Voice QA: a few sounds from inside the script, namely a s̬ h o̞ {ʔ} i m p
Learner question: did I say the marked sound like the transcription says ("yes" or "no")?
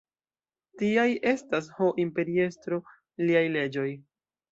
yes